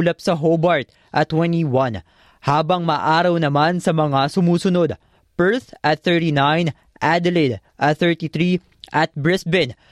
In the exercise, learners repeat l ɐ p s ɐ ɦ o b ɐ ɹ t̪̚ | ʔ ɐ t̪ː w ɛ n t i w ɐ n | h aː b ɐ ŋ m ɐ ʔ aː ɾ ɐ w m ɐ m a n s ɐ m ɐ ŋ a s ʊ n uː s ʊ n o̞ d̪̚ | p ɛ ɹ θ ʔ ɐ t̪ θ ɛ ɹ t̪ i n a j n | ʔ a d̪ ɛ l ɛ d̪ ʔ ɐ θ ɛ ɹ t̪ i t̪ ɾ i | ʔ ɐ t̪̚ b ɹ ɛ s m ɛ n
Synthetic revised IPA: l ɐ p s ɐ ɦ o b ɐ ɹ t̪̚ | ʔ ɐ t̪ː w ɛ n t i w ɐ n | h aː b ɐ ŋ m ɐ ʔ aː ɾ ɐ w n ɐ m a n s ɐ m ɐ ŋ a s ʊ m uː s ʊ n o̞ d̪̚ | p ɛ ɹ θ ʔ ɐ t̪ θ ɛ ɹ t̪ i n a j n | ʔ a d̪ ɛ l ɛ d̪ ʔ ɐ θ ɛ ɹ t̪ i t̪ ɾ i | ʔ ɐ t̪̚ b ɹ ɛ s b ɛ n